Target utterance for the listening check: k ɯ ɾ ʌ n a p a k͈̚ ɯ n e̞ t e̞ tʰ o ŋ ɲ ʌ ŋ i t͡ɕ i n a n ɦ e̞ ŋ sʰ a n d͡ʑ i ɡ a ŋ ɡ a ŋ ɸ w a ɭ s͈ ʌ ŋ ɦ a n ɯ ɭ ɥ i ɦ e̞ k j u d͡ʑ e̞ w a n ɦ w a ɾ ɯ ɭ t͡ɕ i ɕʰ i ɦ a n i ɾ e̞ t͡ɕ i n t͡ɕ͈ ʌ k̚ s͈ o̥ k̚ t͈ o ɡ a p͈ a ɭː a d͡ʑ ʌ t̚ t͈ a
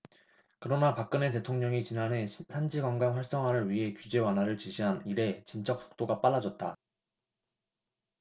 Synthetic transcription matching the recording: k ɯ ɾ ʌ n a p a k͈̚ ɯ n e̞ t e̞ tʰ o ŋ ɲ ʌ ŋ i t͡ɕ i n a n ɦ e̞ sʰ a n d͡ʑ i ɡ a ŋ ɡ a ŋ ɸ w a ɭ s͈ ʌ ŋ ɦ a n ɯ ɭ ɥ i ɦ e̞ k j u d͡ʑ e̞ w a n ɦ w a ɾ ɯ ɭ t͡ɕ i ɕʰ i ɦ a n i ɾ e̞ t͡ɕ i n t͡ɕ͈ ʌ k̚ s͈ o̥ k̚ t͈ o ɡ a p͈ a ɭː a d͡ʑ ʌ t̚ t͈ a